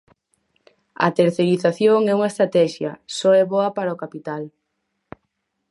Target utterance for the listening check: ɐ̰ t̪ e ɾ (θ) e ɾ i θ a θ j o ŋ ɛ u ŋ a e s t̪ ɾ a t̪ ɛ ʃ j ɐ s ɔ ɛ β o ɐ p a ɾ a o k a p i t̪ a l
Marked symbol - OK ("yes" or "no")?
yes